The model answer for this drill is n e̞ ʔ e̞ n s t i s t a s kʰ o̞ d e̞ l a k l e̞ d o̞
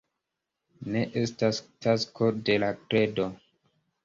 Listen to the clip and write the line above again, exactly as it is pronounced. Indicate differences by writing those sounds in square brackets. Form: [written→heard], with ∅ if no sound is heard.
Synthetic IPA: n e̞ ʔ e̞ [n→∅] s t [i→a] s t a s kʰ o̞ d e̞ l a k [l→ɾ] e̞ d o̞

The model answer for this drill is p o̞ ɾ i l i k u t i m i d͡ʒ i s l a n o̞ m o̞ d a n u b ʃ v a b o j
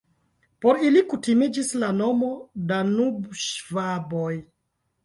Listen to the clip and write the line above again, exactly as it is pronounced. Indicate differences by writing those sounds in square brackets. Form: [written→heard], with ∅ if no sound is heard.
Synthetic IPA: p o̞ ɾ i l i k u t i m i d͡ʒ i s l a n o̞ m o̞ d a n u b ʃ v a b o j

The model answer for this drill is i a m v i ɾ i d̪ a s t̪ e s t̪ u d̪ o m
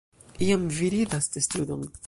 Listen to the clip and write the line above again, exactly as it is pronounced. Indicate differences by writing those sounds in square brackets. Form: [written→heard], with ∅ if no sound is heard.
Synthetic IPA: i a m v i ɾ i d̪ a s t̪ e s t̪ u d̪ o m

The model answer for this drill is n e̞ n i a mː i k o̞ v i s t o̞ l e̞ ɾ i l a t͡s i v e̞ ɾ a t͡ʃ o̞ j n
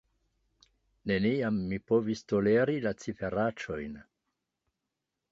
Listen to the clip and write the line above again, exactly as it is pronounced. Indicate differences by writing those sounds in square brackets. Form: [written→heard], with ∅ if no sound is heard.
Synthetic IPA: n e̞ n i a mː i [k→p] o̞ v i s t o̞ l e̞ ɾ i l a t͡s i [v→f] e̞ ɾ a t͡ʃ o̞ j n

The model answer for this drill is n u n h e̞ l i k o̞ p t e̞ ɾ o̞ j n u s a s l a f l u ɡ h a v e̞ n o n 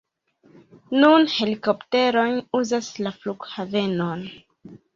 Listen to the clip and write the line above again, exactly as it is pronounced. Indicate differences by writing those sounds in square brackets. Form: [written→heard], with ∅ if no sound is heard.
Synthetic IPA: n u n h e̞ l i k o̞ p t e̞ ɾ o̞ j n u [s→z] a s l a f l u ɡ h a v e̞ n o n

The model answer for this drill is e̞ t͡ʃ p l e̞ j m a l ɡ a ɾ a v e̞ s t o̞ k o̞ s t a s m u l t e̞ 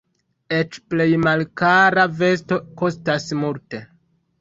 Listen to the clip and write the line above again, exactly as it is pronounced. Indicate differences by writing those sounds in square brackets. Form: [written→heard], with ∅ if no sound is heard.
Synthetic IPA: e̞ t͡ʃ p l e̞ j m a l [ɡ→k] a ɾ a v e̞ s t o̞ k o̞ s t a s m u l t e̞

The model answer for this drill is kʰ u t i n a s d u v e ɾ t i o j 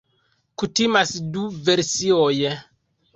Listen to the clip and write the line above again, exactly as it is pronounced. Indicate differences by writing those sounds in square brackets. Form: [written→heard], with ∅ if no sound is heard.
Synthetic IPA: [kʰ→k] u t i [n→m] a s d u v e ɾ [t→s] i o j

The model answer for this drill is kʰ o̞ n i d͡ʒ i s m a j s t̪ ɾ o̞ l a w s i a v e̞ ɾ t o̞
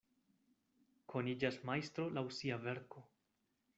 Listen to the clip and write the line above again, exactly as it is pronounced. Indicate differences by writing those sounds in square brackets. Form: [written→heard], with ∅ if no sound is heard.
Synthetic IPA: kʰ o̞ n i d͡ʒ [i→a] s m a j s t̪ ɾ o̞ l a w s i a v e̞ ɾ [t→k] o̞

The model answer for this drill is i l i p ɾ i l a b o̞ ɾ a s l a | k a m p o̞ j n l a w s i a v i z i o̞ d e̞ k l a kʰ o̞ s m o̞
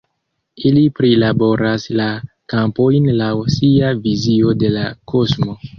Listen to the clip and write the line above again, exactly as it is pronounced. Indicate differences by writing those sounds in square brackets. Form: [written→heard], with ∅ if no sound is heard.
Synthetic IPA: i l i p ɾ i l a b o̞ ɾ a s l a | k a m p o̞ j n l a w s i a v i z i o̞ d e̞ [k→∅] l a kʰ o̞ s m o̞

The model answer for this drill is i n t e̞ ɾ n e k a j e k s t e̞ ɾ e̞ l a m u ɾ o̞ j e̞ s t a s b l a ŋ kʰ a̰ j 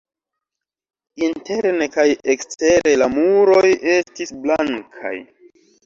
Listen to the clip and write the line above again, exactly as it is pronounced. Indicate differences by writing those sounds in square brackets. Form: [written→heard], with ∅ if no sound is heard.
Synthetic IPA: i n t e̞ ɾ n e k a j e k s t e̞ ɾ e̞ l a m u ɾ o̞ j e̞ s t [a→i] s b l a ŋ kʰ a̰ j

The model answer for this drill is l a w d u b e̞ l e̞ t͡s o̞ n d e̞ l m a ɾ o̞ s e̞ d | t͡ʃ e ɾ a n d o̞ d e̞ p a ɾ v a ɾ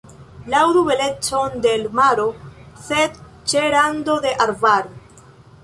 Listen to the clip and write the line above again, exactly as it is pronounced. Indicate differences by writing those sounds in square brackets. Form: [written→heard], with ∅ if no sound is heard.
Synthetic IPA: l a w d u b e̞ l e̞ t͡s o̞ n d e̞ l m a ɾ o̞ s e̞ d | t͡ʃ e ɾ a n d o̞ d e̞ [p→ʔ] a ɾ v a ɾ

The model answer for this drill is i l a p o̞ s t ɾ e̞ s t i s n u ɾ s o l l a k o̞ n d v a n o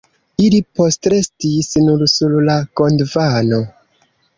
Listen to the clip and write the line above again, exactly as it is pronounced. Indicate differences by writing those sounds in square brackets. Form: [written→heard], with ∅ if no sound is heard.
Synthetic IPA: i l [a→i] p o̞ s t ɾ e̞ s t i s n u ɾ s [o→u] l l a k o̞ n d v a n o

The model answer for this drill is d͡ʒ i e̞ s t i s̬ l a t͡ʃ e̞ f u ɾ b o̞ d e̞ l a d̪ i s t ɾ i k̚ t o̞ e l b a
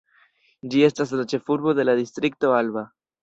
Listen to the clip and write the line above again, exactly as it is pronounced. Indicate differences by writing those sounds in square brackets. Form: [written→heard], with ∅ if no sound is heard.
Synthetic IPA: d͡ʒ i e̞ s t [i→a] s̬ l a t͡ʃ e̞ f u ɾ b o̞ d e̞ l a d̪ i s t ɾ i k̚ t o̞ [e→a] l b a

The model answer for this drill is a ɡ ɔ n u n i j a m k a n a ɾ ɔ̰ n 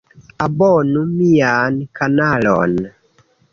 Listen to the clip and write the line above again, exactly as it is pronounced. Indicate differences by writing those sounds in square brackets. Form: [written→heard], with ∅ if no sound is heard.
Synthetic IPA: a [ɡ→b] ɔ n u [n→m] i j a [m→n] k a n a [ɾ→l] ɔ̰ n

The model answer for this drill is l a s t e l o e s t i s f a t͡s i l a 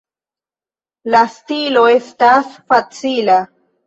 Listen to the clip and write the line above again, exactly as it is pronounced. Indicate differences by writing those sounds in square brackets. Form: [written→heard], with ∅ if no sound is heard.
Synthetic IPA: l a s t [e→i] l o e s t [i→a] s f a t͡s i l a

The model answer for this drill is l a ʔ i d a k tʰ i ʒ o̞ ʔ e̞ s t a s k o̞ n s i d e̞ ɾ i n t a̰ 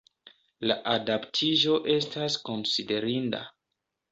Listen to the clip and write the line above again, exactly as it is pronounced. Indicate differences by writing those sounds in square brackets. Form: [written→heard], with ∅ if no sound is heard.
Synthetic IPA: l a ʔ [i→a] d a [k→p] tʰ i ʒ o̞ ʔ e̞ s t a s k o̞ n s i d e̞ ɾ i n [t→d] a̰

